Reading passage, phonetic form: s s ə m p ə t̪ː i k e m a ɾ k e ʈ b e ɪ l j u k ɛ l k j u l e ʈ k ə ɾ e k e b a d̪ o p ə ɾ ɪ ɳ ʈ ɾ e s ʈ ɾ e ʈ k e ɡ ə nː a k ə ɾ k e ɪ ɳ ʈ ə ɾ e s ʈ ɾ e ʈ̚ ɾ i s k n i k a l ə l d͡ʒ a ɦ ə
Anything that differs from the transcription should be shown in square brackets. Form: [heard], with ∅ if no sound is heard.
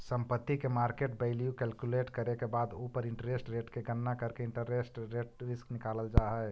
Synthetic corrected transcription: s s ə m p ə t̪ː i k e m a ɾ k e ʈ b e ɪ l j u k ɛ l k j u l e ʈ k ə ɾ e k e b a d̪ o p ə ɾ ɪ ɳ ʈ ɾ e s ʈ ɾ e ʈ k e ɡ ə nː a k ə ɾ k e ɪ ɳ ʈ ə ɾ e s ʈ ɾ e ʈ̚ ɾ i s k n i k a l ə l d͡ʒ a ɦ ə